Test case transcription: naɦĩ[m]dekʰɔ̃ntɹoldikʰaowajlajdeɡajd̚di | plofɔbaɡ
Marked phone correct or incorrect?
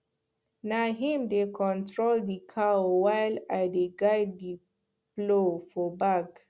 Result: correct